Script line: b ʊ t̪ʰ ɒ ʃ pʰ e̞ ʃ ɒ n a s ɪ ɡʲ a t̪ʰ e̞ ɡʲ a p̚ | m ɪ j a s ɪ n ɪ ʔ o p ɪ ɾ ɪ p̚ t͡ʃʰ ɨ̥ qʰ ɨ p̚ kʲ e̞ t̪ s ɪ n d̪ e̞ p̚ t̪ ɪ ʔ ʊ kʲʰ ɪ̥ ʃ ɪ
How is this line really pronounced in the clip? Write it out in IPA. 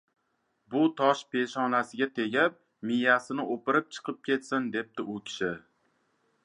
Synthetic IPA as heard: b ʊ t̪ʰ ɒ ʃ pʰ e̞ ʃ ɒ n a s ɪ ɡʲ a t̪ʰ e̞ ɡʲ a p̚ | m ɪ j a s ɪ n ɪ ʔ o p ɪ ɾ ɪ p̚ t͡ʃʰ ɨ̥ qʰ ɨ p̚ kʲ e̞ t̪ s ɪ n d̪ e̞ p̚ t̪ ɪ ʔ ʊ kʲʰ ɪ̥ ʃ ɪ